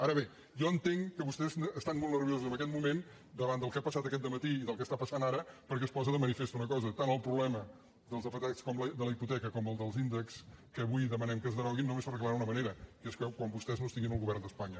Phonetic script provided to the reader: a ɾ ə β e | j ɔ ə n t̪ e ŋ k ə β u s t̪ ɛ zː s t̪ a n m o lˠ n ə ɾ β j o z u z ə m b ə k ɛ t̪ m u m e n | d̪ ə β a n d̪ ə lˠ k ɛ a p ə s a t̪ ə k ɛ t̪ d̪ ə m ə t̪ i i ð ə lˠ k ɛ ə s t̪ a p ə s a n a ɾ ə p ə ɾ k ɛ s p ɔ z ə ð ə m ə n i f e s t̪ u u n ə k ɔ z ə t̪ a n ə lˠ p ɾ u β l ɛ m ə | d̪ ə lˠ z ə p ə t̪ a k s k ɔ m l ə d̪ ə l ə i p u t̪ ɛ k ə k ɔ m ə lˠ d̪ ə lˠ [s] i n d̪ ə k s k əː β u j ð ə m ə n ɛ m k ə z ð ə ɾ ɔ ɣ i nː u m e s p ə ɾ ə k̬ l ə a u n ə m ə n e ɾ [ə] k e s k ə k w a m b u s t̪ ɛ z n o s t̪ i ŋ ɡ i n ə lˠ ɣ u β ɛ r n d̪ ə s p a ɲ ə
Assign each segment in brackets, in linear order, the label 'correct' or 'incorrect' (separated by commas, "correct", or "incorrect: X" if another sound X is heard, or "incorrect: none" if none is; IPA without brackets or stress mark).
incorrect: z, correct